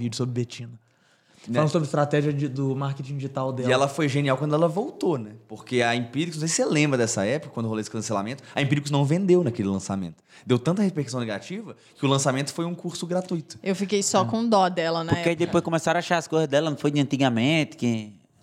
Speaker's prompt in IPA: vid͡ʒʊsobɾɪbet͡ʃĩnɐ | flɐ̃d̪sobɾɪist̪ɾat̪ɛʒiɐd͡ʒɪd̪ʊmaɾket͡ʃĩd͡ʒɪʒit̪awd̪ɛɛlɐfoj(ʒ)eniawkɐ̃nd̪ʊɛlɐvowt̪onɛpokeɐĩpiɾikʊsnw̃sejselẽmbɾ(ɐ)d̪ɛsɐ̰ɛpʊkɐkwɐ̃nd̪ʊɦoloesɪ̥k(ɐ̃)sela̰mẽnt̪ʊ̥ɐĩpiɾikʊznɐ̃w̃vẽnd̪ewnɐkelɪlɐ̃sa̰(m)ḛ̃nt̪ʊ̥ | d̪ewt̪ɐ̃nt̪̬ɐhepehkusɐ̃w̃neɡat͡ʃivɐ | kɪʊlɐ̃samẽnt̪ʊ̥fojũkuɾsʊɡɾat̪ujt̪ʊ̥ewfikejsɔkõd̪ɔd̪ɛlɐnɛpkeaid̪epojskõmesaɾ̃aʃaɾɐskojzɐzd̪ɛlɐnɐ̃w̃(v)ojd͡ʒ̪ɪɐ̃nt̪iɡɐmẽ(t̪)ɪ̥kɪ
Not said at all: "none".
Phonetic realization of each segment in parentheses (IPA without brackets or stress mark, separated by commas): ʒ, ɐ, ɐ̃, m, f, t̪